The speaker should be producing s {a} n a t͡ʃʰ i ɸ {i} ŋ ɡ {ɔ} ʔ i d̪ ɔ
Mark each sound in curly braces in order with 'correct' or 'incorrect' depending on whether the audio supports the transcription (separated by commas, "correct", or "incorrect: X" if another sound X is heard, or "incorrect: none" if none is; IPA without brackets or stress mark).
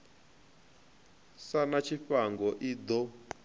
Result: correct, incorrect: a, correct